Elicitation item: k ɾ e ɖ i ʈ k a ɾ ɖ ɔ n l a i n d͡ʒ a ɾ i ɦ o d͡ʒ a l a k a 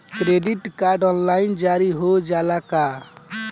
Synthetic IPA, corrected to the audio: k ɾ e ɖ i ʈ k a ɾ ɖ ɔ n l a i n d͡ʒ a ɾ i ɦ o d͡ʒ a l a k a